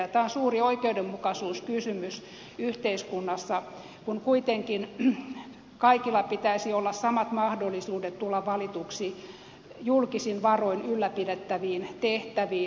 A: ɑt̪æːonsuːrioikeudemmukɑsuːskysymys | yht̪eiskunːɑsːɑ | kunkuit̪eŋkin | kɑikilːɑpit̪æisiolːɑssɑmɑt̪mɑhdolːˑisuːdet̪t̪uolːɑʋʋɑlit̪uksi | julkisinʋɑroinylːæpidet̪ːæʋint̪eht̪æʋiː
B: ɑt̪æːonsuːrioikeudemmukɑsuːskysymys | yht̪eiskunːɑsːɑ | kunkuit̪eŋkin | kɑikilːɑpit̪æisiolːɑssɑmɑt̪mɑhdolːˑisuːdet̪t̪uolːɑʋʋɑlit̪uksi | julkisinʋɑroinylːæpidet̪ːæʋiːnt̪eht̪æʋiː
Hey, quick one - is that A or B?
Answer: B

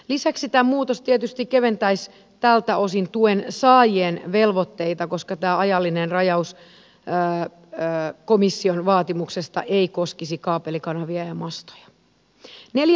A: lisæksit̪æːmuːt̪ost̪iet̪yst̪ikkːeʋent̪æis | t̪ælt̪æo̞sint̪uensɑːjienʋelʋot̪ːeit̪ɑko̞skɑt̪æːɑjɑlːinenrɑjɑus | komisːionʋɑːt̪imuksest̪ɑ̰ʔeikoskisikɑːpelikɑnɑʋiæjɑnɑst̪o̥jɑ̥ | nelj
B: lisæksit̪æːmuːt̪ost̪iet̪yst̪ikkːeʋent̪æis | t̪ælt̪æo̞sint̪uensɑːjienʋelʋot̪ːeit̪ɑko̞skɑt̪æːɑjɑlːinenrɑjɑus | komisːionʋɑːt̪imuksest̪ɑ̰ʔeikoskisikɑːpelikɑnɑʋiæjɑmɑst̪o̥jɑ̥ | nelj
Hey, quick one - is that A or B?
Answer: B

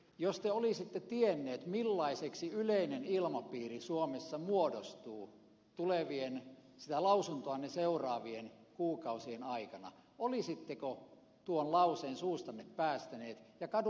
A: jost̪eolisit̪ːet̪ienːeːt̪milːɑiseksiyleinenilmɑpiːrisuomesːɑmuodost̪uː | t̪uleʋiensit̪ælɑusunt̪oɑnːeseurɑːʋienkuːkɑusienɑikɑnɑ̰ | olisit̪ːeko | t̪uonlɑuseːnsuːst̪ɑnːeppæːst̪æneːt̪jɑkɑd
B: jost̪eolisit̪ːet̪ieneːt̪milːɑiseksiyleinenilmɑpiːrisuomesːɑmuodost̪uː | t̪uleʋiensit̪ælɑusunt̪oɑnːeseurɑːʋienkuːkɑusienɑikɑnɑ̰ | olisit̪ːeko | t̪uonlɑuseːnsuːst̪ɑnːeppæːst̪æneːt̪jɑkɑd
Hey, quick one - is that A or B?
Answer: A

